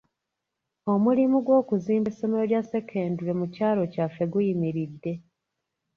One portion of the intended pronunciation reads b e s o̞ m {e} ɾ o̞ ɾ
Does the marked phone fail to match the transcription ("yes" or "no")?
no